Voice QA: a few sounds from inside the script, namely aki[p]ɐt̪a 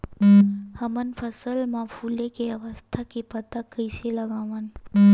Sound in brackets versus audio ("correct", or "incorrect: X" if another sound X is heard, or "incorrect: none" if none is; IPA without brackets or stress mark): correct